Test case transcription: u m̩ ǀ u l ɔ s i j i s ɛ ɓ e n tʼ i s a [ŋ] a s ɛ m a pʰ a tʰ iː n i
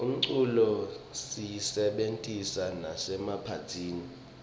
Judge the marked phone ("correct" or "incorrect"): incorrect